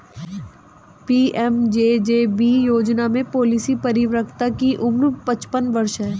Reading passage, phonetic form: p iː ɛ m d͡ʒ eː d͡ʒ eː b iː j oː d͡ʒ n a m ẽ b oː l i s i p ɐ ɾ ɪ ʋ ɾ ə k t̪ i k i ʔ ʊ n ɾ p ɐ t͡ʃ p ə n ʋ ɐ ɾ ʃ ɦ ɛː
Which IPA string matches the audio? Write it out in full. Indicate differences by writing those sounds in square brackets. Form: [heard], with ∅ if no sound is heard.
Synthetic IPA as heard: p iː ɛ m d͡ʒ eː d͡ʒ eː b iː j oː d͡ʒ n a m ẽ [p] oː l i s i p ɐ ɾ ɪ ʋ ɾ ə k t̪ [a] k i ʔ ʊ [m] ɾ p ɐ t͡ʃ p ə n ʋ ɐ ɾ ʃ ɦ ɛː